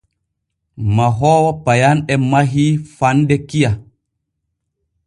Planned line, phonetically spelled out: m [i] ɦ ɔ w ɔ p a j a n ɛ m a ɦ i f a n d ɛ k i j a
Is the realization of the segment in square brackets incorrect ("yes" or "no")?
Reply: yes